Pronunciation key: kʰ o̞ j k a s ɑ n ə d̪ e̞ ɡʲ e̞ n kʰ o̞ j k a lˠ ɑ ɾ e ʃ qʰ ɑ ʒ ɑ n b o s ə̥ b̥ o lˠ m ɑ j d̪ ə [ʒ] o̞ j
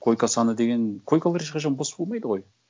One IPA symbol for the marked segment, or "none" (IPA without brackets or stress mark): ʁ